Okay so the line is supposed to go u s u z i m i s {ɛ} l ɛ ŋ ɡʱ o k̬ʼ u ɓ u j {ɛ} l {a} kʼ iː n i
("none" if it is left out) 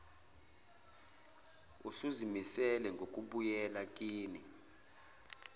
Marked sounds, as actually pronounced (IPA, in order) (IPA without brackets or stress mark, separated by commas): ɛ, ɛ, a